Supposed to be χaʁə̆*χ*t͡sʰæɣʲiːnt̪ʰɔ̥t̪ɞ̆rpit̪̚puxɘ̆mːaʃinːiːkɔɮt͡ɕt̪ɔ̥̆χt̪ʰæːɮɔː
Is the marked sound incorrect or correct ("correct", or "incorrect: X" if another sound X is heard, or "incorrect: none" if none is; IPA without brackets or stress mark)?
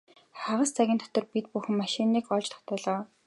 incorrect: s